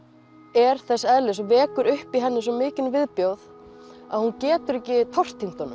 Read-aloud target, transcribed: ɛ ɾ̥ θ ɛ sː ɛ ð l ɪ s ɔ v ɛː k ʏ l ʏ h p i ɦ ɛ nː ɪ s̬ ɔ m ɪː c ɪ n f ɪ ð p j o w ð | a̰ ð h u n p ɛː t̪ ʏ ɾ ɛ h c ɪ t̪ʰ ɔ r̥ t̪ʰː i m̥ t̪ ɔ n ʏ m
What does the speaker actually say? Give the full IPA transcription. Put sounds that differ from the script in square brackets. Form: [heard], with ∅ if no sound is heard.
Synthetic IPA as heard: ɛ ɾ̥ θ ɛ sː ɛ ð l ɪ s ɔ v ɛː k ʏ [ɾ] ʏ h p i ɦ ɛ nː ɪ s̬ ɔ m ɪː c ɪ n [v] ɪ ð p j o w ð | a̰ ð h u n [c] ɛː t̪ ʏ ɾ ɛ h c ɪ t̪ʰ ɔ r̥ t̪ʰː i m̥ t̪ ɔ n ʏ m